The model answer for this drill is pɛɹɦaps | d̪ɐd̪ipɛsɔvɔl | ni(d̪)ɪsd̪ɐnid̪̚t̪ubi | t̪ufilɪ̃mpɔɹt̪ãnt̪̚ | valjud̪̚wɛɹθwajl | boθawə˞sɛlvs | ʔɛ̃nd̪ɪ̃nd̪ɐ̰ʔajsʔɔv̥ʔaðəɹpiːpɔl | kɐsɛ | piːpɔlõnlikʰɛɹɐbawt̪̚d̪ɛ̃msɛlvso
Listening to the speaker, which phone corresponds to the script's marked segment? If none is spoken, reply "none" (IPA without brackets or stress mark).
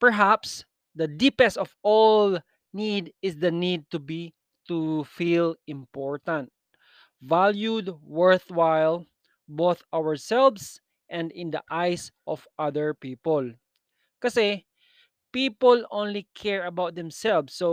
d̪